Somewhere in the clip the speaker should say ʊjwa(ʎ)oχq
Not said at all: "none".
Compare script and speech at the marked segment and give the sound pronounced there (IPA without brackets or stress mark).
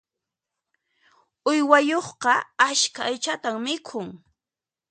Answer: j